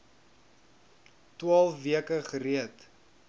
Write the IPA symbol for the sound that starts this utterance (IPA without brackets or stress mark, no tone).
t